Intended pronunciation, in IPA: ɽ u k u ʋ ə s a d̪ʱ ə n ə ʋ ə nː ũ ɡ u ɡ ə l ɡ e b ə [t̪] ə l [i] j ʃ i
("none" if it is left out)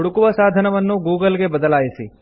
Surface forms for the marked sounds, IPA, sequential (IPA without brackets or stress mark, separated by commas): d̪, a